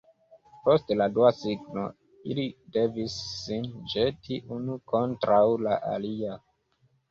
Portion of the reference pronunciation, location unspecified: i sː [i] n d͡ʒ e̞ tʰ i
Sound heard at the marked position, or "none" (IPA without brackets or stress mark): i